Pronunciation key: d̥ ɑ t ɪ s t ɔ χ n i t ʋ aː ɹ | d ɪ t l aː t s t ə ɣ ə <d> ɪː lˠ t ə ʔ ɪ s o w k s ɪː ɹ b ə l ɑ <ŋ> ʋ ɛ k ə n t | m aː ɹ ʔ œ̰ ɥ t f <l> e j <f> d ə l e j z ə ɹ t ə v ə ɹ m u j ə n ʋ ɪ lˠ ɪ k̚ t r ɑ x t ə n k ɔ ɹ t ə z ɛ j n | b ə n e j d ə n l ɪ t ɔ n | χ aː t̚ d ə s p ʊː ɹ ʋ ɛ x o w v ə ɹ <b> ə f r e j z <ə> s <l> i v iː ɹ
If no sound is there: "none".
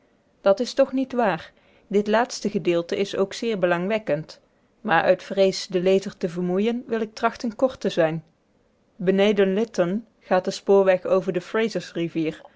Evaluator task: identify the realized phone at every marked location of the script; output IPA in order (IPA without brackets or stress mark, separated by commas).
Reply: d, ŋ, r, s, d, ə, r